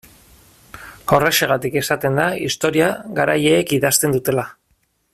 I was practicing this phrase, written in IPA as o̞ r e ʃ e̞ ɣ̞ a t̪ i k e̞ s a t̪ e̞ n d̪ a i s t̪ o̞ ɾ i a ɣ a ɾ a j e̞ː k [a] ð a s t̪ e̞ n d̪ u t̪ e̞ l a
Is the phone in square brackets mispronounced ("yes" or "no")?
yes